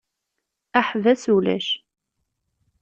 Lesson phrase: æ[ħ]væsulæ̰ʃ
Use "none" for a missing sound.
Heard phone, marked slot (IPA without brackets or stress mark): ħ